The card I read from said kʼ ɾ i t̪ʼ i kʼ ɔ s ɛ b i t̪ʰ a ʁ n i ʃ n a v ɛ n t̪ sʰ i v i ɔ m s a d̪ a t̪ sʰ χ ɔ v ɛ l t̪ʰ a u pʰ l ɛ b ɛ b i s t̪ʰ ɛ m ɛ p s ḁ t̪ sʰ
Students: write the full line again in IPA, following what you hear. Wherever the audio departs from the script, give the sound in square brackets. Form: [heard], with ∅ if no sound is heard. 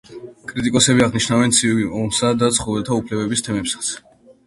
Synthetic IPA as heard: kʼ ɾ i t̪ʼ i kʼ ɔ s ɛ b i [∅] a ʁ n i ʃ n a v ɛ n t̪ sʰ i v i ɔ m s a d̪ a t̪ sʰ χ ɔ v ɛ l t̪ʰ a u pʰ l ɛ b ɛ b i s t̪ʰ ɛ m ɛ p s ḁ t̪ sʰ